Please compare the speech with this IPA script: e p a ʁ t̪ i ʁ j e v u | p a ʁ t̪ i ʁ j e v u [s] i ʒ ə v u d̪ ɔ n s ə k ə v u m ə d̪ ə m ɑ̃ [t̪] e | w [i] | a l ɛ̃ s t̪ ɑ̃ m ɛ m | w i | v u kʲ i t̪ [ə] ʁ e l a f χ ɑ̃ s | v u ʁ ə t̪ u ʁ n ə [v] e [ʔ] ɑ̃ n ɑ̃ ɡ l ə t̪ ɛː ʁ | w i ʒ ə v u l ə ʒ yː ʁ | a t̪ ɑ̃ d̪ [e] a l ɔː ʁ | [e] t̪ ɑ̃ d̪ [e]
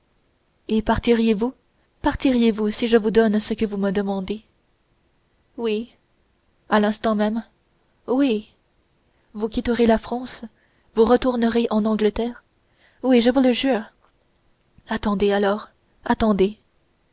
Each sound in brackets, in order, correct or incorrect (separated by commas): correct, incorrect, correct, correct, incorrect, correct, correct, incorrect, correct